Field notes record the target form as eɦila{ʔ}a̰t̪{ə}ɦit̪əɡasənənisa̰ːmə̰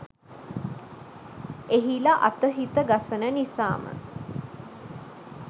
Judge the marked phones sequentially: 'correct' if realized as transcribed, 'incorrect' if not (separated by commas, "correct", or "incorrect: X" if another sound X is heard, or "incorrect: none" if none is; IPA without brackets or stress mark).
correct, correct